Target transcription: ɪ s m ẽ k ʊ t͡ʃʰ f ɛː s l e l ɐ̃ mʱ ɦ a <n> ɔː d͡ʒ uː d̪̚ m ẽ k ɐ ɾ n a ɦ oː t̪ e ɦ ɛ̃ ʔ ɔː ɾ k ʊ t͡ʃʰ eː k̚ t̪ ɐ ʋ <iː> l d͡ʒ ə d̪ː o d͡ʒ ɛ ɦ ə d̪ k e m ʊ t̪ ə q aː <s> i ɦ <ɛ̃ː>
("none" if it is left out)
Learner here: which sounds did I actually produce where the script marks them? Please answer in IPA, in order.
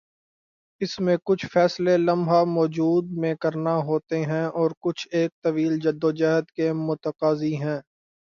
m, iː, z, ɛ̃ː

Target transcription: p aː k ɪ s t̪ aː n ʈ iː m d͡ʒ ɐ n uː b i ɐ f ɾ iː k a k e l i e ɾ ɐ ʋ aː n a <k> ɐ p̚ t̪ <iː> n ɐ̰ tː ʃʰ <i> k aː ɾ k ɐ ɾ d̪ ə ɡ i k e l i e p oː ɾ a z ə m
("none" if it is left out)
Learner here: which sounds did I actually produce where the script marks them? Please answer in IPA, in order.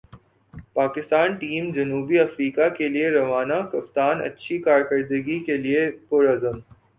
k, aː, i

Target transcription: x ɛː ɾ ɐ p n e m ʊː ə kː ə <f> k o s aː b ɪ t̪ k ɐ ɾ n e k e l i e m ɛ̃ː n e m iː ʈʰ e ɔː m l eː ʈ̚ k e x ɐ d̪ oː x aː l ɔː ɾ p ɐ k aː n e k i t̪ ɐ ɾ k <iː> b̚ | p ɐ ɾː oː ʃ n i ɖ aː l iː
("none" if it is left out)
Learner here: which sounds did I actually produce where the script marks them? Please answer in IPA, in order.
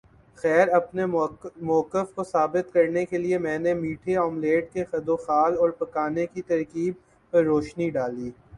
f, iː

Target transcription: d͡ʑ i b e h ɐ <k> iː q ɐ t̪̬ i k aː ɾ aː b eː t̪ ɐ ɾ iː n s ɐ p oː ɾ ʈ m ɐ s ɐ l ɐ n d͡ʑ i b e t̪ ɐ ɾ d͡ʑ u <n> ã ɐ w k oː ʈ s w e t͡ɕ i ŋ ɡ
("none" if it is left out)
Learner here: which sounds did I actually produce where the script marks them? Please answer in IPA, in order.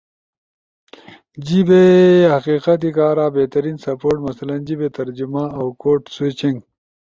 q, m

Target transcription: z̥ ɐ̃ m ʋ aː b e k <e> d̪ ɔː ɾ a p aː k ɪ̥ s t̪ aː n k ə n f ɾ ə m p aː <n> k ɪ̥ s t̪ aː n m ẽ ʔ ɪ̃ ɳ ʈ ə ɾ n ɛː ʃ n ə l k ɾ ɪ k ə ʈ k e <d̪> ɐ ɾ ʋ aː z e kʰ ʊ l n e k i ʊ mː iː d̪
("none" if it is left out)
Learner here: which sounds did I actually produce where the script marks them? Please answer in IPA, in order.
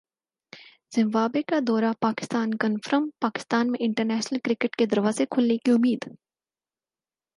a, none, d̪

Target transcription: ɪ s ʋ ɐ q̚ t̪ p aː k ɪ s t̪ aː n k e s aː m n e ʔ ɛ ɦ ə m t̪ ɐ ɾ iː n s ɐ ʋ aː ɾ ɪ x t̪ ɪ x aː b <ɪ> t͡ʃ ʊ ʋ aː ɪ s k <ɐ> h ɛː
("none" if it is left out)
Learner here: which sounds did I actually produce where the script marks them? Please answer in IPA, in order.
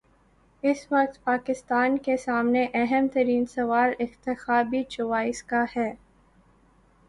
i, a

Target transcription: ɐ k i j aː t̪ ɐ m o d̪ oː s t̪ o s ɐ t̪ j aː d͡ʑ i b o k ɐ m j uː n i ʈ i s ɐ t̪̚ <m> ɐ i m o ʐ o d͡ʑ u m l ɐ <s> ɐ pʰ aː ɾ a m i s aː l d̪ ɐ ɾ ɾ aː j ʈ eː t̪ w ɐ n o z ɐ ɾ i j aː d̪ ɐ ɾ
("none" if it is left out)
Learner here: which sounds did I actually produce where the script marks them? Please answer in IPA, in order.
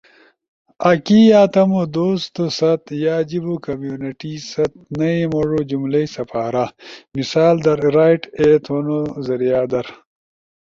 n, s

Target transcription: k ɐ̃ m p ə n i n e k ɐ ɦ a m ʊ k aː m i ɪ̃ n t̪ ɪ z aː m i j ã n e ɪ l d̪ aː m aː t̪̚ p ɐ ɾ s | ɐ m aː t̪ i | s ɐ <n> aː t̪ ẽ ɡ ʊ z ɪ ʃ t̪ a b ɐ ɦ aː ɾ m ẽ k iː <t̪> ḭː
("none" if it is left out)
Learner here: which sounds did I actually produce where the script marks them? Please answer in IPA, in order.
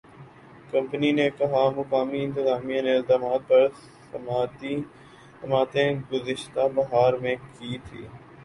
m, t̪ʰ

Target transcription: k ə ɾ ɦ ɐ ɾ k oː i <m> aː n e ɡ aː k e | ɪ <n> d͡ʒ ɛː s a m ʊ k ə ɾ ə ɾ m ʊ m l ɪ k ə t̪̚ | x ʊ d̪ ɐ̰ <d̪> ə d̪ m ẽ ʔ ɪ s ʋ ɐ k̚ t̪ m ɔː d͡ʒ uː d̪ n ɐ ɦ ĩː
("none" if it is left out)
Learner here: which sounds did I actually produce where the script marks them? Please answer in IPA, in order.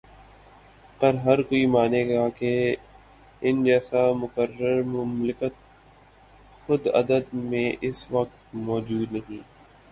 m, n, d̪

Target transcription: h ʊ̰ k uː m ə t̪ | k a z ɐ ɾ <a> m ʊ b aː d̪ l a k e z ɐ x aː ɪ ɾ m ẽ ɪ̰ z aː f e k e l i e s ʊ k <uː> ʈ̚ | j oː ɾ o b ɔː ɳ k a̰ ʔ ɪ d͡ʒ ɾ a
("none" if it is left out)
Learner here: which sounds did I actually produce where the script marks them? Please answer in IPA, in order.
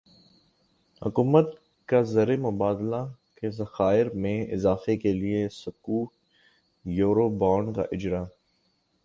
e, uː

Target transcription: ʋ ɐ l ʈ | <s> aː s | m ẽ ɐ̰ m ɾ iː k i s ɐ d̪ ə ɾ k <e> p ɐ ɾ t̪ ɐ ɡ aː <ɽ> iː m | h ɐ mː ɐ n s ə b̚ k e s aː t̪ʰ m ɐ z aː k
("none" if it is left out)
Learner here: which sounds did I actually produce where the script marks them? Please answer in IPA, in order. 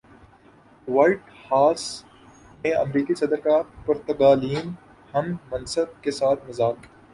h, a, l

